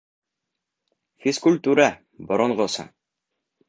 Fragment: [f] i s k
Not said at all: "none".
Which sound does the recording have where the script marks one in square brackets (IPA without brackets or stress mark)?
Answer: f